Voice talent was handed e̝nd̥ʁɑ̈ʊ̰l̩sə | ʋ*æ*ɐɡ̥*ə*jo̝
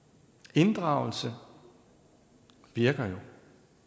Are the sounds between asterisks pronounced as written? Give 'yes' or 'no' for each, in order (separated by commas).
no, no